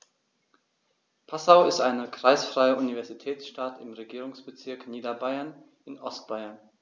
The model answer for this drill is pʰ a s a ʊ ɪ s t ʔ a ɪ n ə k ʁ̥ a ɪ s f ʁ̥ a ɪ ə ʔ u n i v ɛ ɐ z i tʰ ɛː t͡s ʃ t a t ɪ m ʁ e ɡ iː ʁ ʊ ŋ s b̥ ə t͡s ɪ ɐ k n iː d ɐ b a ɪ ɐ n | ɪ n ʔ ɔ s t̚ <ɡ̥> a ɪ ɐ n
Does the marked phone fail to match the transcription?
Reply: yes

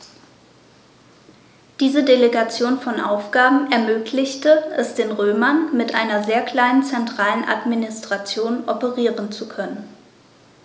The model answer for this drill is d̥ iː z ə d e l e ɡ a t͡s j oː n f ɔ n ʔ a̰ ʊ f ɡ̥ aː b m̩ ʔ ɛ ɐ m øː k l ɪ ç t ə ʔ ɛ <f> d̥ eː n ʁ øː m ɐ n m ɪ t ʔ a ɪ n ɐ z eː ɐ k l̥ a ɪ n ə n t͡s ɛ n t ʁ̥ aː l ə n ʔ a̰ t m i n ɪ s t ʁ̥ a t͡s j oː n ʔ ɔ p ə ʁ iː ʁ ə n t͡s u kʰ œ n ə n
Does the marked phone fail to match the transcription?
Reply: yes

